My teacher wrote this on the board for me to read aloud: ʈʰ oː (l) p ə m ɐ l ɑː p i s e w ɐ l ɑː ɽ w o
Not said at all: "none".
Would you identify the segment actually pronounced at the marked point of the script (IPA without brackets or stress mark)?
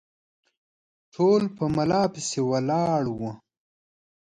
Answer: l